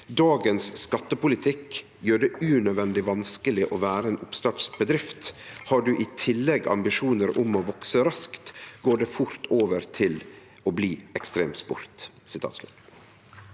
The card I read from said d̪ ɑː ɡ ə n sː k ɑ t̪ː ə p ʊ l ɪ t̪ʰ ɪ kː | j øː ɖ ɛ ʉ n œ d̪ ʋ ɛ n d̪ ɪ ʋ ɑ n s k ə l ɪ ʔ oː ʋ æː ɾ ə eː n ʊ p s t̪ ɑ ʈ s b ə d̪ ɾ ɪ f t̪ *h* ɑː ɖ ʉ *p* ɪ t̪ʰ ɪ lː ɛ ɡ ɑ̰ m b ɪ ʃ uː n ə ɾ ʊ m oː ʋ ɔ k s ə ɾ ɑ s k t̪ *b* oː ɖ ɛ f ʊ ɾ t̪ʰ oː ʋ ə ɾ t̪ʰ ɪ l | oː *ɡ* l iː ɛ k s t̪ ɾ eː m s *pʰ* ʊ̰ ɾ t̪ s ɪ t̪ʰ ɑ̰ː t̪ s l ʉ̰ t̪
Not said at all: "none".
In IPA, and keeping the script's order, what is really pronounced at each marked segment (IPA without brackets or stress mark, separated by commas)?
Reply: h, ʔ, ɡ, b, p